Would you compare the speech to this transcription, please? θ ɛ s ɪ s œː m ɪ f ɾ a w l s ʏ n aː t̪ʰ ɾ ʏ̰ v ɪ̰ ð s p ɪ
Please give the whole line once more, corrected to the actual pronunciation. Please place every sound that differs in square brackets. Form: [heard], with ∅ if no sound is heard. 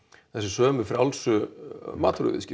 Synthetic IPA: θ ɛ s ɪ s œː m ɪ f ɾ a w l s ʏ [m] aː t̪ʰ ɾ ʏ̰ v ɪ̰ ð s [c] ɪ